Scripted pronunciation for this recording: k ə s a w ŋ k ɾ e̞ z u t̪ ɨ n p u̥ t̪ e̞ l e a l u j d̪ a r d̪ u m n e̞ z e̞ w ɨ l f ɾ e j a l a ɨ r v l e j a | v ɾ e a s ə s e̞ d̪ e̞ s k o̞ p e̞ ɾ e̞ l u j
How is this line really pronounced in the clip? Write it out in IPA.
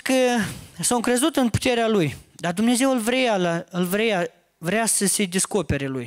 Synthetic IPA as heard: k ə s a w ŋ k ɾ e̞ z u t̪ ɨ n p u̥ t̪ e̞ ɾ e a l u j d̪ a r d̪ u m n e̞ z e̞ w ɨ l v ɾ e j a l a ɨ l v ɾ e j a | v ɾ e a s ə s e̞ d̪ e̞ s k o̞ p e̞ ɾ e̞ l u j